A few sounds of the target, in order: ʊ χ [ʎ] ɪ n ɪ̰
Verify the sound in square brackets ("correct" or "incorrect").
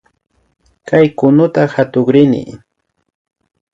incorrect